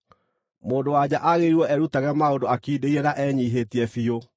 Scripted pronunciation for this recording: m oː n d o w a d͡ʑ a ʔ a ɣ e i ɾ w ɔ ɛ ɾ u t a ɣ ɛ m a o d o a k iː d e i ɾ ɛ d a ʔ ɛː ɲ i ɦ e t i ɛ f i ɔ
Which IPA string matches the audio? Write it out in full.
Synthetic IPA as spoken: m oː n d o w a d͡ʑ a ʔ a ɣ e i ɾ w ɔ ɛ ɾ u t a ɣ ɛ m a o d o a k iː d e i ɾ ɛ n a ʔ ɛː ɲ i ɦ e t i ɛ f i o